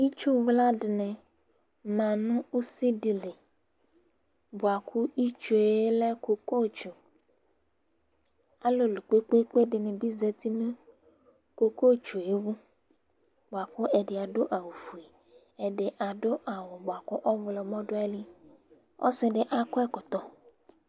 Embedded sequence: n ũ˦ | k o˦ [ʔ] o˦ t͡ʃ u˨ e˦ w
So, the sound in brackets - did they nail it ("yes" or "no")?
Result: no